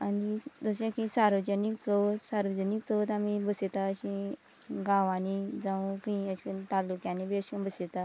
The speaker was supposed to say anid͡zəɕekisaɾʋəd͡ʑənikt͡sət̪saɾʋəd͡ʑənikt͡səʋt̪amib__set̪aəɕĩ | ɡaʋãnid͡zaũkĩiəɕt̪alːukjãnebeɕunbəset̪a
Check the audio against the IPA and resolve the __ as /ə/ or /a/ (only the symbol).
ə